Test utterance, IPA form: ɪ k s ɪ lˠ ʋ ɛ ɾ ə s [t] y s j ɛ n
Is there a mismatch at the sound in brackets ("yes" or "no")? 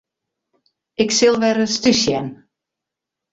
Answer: no